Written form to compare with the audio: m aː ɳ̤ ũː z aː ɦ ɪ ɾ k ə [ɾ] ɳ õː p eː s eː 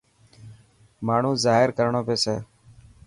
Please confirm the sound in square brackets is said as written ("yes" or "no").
yes